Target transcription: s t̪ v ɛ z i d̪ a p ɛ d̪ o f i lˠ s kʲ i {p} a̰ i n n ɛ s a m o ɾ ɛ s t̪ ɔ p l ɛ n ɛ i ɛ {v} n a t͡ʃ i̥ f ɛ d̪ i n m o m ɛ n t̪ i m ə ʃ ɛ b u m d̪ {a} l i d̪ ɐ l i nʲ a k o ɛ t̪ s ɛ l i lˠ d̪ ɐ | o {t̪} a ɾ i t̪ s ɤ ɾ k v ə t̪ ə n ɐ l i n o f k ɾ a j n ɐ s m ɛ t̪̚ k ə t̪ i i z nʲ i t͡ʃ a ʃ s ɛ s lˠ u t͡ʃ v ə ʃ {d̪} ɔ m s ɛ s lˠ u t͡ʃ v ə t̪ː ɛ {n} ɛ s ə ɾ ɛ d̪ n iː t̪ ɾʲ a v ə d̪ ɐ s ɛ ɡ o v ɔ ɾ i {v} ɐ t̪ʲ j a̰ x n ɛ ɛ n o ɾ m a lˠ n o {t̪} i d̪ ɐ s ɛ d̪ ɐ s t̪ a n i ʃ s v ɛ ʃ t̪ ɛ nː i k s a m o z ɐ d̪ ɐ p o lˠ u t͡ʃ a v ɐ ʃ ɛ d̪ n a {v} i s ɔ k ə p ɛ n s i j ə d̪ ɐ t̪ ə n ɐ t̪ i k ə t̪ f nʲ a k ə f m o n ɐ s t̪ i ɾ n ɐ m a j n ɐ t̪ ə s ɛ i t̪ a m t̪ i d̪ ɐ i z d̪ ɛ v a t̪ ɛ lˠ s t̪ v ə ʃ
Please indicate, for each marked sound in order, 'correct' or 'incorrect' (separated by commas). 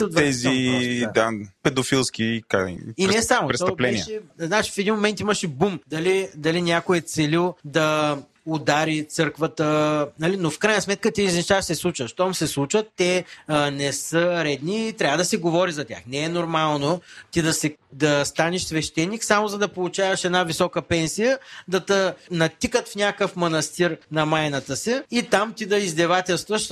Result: incorrect, incorrect, incorrect, incorrect, incorrect, correct, incorrect, correct, correct